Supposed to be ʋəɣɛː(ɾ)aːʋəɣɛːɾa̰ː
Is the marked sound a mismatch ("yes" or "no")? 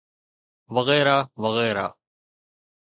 no